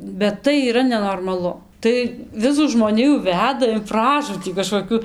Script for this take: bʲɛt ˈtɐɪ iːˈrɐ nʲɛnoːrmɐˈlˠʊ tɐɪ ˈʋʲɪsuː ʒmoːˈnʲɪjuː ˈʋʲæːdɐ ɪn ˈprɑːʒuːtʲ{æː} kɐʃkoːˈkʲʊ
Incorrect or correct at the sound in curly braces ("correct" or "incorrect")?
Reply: incorrect